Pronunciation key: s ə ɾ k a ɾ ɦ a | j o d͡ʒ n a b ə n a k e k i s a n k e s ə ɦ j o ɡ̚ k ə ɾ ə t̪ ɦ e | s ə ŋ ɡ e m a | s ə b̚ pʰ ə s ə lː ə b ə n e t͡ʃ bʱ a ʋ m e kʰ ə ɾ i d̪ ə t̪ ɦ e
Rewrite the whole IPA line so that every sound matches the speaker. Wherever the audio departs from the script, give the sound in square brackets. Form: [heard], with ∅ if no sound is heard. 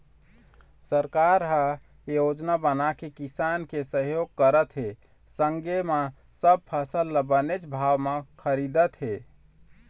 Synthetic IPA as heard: s ə ɾ k a ɾ ɦ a | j o d͡ʒ n a b ə n a k e k i s a n k e s ə ɦ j o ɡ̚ k ə ɾ ə t̪ ɦ e | s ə ŋ ɡ e m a | s ə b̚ pʰ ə s ə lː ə b ə n e t͡ʃ bʱ a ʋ m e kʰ ə ɾ i d̪ ə t̪ ɦ e